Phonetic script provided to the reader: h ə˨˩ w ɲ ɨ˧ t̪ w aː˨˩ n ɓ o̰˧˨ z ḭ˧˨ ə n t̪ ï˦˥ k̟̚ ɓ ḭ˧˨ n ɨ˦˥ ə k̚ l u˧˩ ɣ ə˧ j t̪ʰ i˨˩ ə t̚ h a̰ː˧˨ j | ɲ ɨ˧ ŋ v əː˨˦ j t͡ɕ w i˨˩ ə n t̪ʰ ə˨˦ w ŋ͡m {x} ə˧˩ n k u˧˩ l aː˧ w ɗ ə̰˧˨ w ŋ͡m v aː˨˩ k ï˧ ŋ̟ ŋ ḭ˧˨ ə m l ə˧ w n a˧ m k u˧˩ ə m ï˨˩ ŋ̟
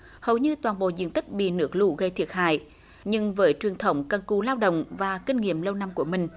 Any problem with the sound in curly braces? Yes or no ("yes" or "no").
yes